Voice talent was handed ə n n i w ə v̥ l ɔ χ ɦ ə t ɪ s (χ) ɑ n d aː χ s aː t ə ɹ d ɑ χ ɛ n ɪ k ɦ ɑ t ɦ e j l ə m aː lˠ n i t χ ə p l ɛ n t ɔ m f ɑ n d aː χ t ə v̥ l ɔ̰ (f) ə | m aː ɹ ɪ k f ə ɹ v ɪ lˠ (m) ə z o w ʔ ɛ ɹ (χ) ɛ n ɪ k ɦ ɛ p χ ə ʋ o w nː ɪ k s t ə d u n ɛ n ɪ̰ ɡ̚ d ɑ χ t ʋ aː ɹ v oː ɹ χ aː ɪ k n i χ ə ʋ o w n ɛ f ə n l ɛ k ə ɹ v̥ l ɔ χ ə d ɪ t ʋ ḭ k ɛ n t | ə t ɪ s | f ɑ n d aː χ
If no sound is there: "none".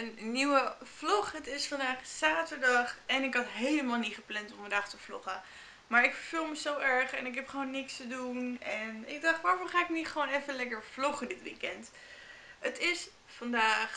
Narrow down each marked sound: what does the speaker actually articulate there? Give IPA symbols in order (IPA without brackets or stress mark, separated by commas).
f, χ, m, χ